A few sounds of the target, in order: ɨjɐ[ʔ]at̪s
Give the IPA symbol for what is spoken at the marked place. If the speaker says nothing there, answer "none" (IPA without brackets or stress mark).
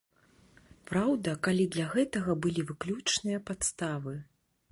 p